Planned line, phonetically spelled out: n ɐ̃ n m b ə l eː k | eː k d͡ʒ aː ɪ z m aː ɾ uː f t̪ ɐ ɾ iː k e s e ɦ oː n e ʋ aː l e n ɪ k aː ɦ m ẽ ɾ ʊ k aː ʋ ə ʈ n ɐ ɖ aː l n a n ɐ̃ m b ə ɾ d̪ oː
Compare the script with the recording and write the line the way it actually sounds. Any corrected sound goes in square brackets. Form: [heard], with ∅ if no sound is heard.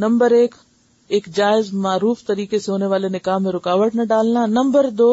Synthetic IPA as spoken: n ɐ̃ [∅] m b ə [ɾ] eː k | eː k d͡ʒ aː ɪ z m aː ɾ uː f t̪ ɐ ɾ iː k e s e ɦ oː n e ʋ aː l e n ɪ k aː ɦ m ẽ ɾ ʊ k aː ʋ ə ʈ n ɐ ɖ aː l n a n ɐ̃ m b ə ɾ d̪ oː